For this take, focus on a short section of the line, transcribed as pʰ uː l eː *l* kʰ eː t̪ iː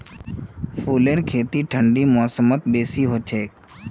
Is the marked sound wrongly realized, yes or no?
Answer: yes